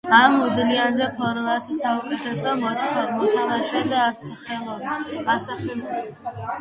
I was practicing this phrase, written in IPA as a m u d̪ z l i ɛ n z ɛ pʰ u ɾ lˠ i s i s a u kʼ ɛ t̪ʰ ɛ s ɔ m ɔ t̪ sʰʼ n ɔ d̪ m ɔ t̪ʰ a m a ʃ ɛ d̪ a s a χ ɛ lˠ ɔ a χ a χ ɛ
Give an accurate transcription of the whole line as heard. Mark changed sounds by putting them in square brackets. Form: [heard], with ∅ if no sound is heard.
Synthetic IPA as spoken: a m u d̪ z l i [a] n z ɛ pʰ [ɔ] ɾ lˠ [a] s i s a u kʼ ɛ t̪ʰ ɛ s ɔ m ɔ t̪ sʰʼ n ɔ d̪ m ɔ t̪ʰ a m a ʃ ɛ d̪ a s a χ ɛ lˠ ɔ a [s] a χ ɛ